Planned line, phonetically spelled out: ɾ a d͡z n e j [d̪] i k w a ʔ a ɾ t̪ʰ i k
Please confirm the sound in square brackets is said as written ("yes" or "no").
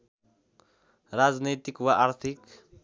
no